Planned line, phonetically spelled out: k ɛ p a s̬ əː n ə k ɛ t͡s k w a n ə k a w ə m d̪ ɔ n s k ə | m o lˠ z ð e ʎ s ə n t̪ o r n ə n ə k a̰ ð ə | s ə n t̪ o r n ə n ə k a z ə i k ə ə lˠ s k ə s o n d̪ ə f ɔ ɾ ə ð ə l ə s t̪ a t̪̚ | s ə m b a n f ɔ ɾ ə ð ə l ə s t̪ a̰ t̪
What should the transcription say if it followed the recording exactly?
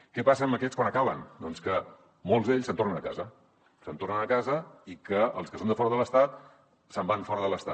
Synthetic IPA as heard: k ɛ p a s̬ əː m ə k ɛ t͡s k w a n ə k a β ə n d̪ ɔ n s k ə | m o lˠ z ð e ʎ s ə n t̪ o r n ə n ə k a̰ z ə | s ə n t̪ o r n ə n ə k a z ə i k ə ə lˠ s k ə s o n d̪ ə f ɔ ɾ ə ð ə l ə s t̪ a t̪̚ | s ə m b a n f ɔ ɾ ə ð ə l ə s t̪ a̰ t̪